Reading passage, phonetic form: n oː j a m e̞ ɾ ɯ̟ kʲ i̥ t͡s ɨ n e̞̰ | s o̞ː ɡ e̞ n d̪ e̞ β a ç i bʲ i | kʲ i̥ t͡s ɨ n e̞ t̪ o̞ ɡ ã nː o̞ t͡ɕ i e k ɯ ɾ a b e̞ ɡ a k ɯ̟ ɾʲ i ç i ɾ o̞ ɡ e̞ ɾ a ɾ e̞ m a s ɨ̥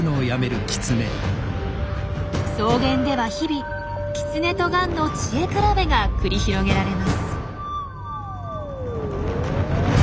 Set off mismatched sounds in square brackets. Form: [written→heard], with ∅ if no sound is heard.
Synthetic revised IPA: n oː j a m e̞ ɾ ɯ̟ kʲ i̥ t͡s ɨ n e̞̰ | s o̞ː ɡ [e̞→ẽ̞] n d̪ e̞ β a ç i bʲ i | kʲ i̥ t͡s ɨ n e̞ t̪ o̞ ɡ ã nː o̞ t͡ɕ i e k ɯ ɾ a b e̞ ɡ a k ɯ̟ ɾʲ i ç i ɾ o̞ ɡ e̞ ɾ a ɾ e̞ m a s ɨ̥